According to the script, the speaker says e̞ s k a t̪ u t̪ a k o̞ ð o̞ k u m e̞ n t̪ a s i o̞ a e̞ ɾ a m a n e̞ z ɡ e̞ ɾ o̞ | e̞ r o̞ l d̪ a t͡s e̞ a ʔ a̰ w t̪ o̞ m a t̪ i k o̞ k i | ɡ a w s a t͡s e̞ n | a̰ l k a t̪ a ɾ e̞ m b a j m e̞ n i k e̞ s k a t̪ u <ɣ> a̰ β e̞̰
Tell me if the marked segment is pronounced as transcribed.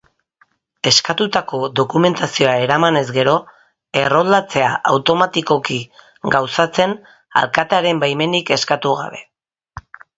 yes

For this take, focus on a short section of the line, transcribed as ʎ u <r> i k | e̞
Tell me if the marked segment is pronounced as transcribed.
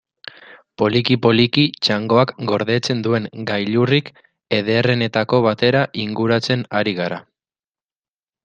yes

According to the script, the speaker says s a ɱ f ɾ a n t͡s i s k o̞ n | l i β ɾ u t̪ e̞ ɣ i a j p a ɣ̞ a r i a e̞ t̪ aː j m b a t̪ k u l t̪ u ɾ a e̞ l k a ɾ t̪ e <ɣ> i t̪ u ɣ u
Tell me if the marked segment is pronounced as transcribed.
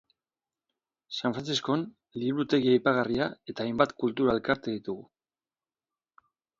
no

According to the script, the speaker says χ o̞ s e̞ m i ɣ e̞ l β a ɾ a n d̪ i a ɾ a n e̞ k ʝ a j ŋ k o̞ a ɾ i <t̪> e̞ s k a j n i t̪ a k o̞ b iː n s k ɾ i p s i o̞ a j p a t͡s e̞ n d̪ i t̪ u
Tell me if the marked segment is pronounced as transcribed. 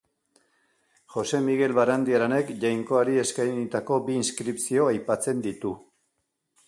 no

